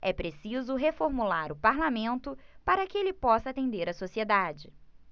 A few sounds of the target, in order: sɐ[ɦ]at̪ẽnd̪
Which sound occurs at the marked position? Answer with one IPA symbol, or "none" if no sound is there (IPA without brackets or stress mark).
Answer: none